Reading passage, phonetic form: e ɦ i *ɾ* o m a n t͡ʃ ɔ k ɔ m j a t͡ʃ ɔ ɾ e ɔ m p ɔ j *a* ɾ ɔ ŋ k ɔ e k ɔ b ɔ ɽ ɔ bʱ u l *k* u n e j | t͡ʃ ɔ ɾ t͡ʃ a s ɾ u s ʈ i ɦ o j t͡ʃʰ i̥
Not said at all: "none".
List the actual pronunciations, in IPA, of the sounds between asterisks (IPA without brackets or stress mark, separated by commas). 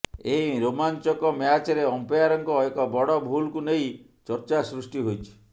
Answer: ɾ, a, k